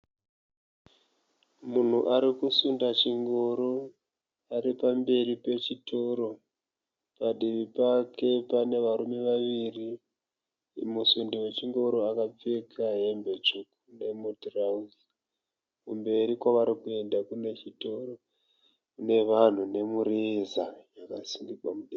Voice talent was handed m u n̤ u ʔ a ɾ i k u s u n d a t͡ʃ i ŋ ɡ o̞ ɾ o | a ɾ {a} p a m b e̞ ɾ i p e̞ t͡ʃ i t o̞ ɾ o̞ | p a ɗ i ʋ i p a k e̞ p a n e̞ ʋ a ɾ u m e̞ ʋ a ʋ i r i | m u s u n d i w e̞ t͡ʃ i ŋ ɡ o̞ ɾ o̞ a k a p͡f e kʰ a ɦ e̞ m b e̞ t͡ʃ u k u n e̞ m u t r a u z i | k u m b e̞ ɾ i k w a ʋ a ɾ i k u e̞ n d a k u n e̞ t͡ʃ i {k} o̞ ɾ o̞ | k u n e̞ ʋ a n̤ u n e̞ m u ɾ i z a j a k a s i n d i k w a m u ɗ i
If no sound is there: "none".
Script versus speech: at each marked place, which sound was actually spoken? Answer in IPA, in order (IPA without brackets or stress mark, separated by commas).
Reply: i, t